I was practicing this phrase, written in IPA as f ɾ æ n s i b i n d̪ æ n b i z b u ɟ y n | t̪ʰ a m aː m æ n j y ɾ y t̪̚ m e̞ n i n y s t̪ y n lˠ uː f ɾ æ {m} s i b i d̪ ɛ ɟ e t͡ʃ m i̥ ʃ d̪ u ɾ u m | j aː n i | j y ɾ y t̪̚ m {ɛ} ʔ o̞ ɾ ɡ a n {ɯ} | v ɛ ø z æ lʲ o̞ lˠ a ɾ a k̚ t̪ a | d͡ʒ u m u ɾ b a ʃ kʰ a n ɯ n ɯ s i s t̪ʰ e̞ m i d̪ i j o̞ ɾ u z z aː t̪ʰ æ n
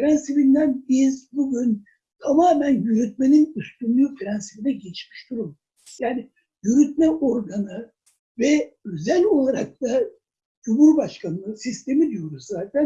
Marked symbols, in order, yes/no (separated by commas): no, yes, yes